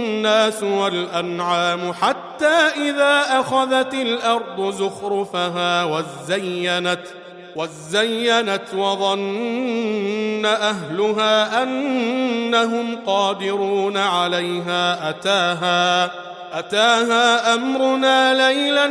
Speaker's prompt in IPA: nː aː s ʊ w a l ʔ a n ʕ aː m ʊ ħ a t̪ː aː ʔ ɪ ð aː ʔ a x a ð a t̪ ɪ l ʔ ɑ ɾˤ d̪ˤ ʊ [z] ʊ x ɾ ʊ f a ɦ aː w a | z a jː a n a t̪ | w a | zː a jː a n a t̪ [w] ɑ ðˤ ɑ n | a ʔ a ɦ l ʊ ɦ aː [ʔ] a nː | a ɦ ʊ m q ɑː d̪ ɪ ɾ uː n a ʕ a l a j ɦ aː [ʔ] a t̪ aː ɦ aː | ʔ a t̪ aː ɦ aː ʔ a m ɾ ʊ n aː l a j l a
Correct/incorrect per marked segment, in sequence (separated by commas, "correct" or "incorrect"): correct, correct, correct, correct